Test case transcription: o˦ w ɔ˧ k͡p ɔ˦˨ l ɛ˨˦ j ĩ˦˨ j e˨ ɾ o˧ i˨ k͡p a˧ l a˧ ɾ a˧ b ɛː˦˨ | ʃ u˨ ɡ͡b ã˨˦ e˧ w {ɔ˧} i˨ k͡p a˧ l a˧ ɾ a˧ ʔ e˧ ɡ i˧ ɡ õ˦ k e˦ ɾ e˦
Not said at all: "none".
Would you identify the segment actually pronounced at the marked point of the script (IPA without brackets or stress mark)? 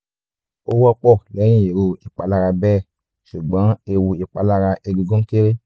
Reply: u˧